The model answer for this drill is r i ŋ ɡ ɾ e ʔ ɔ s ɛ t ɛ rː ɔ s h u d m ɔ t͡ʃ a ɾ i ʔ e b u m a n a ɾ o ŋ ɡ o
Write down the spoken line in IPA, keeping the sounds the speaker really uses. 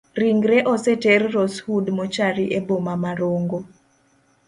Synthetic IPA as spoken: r i ŋ ɡ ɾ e ʔ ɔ s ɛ t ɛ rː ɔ s h u d m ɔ t͡ʃ a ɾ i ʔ e b o m a m a ɾ o ŋ ɡ o